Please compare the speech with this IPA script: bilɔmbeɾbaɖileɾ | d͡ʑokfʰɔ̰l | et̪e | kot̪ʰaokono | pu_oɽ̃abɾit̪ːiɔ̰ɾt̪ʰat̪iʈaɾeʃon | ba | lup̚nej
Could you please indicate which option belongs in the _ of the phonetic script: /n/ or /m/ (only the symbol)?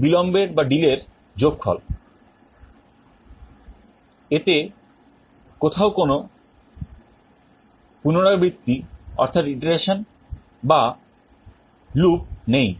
n